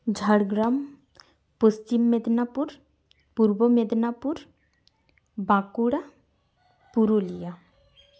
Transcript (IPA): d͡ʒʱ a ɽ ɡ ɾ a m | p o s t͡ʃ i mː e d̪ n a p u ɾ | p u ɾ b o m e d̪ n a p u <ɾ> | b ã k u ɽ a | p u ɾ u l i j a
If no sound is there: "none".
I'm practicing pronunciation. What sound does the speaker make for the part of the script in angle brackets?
ɾ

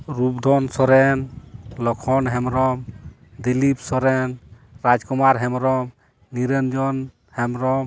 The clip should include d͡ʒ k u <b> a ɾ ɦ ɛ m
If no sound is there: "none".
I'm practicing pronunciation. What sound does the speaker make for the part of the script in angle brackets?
m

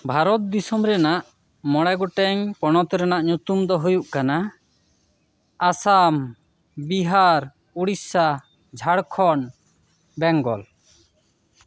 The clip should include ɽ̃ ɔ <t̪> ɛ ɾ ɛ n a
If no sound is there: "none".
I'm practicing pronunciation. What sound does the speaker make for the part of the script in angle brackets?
t̪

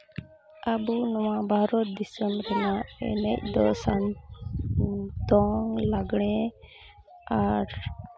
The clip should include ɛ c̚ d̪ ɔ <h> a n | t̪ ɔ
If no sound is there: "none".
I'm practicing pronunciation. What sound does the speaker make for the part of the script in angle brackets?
s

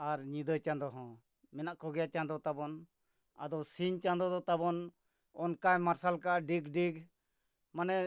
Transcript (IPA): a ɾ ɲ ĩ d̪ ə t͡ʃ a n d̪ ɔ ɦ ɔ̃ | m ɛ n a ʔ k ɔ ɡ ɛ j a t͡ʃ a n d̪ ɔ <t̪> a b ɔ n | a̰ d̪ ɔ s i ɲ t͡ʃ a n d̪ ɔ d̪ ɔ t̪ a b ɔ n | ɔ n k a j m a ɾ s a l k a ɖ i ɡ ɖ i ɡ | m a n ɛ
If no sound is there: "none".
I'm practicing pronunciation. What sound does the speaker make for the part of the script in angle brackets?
t̪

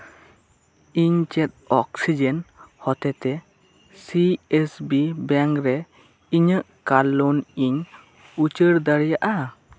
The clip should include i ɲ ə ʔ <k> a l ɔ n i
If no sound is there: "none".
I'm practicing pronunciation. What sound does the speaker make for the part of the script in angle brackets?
k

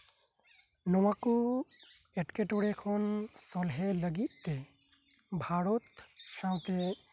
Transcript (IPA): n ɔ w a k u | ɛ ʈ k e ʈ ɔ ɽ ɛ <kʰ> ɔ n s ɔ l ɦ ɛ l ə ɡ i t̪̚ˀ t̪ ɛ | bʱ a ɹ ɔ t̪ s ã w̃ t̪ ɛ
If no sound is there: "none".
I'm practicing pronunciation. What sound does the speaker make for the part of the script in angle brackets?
kʰ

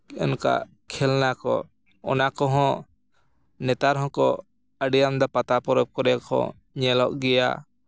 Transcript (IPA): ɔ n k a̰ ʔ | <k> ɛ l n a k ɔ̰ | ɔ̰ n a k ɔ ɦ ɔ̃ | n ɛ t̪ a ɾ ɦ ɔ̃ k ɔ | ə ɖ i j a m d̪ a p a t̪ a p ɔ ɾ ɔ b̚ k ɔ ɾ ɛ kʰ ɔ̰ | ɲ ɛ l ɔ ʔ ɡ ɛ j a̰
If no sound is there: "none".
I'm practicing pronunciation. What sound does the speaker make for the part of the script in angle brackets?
kʰ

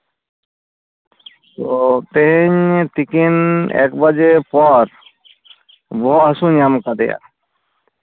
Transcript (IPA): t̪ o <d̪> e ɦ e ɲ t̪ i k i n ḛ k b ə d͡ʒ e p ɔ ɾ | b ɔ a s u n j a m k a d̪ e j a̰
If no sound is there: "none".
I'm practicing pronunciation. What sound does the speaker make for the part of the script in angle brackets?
t̪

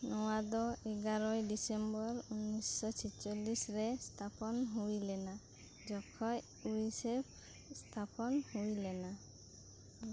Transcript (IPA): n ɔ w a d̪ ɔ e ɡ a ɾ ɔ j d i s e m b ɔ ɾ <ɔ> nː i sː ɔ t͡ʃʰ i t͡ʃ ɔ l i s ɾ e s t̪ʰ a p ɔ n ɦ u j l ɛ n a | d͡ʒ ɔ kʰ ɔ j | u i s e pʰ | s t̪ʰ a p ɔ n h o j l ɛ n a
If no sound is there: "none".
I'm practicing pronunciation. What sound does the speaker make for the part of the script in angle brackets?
u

